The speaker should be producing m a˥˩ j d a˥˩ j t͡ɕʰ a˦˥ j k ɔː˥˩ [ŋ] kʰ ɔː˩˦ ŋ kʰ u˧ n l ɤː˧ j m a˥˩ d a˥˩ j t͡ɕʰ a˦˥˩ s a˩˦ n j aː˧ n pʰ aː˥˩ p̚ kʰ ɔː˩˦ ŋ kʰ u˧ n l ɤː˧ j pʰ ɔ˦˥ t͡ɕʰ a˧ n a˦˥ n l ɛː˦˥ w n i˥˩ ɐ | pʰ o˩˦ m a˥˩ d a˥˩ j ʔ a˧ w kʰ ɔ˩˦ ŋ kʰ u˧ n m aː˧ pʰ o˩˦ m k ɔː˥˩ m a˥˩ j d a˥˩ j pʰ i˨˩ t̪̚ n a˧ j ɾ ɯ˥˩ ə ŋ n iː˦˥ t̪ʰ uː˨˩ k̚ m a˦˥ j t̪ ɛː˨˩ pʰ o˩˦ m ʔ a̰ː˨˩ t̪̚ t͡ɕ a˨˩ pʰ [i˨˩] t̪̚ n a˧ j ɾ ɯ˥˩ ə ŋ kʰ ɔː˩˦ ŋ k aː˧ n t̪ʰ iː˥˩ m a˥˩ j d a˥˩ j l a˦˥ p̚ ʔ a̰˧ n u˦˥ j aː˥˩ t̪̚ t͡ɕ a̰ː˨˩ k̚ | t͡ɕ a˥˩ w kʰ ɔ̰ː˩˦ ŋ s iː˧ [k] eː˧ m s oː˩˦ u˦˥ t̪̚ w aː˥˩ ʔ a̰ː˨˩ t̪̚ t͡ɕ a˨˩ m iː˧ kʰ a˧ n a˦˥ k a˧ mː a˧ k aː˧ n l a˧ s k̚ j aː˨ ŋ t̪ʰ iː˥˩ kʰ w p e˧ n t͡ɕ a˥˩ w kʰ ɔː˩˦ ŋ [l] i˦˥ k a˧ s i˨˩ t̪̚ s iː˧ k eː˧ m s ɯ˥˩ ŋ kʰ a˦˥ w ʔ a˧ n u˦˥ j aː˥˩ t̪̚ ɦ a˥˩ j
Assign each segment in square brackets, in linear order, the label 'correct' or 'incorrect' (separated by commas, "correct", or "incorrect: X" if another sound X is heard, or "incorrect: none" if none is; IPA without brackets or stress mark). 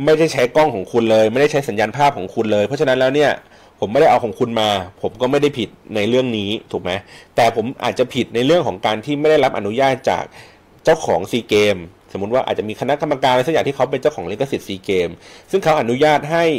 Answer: correct, correct, correct, correct